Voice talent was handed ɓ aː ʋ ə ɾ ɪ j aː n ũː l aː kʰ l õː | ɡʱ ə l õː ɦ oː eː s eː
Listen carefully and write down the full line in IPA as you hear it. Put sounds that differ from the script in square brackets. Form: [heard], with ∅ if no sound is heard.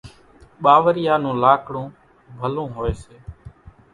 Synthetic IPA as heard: ɓ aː ʋ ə ɾ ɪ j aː n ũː l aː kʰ [ɽ] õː | [bʱ] ə l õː ɦ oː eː s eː